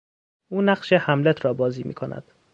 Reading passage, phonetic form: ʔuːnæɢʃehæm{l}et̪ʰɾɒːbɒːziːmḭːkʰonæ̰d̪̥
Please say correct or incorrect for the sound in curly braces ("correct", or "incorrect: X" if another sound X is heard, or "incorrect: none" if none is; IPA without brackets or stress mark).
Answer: correct